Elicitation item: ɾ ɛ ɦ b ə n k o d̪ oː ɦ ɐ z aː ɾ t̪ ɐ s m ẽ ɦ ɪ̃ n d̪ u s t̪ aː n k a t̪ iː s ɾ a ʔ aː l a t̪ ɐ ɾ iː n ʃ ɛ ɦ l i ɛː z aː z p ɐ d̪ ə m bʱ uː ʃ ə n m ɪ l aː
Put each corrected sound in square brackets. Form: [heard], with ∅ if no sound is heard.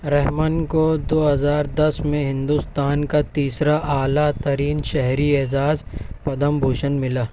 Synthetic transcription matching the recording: ɾ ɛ ɦ [m] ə n k o d̪ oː ɦ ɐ z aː ɾ [d̪] ɐ s m ẽ ɦ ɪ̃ n d̪ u s t̪ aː n k a t̪ iː s ɾ a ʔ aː l a t̪ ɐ ɾ iː n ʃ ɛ ɦ [ɾ] i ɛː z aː z p ɐ d̪ ə m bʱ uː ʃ ə n m ɪ l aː